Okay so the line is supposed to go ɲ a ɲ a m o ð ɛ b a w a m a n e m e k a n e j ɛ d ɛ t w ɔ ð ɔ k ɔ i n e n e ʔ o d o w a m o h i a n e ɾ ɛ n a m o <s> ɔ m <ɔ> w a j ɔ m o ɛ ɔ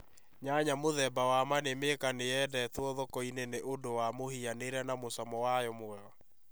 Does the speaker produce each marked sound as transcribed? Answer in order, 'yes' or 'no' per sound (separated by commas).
yes, yes